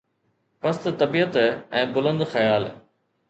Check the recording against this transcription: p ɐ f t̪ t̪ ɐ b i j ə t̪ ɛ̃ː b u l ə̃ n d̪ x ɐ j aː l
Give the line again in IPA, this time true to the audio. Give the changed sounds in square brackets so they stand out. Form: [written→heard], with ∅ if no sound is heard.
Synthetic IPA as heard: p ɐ [f→s] t̪ t̪ ɐ b i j ə t̪ ɛ̃ː b [u→ʊ] l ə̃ n d̪ x ɐ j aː l